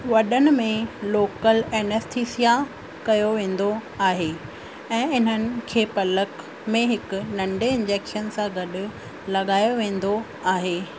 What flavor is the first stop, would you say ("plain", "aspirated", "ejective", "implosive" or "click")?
implosive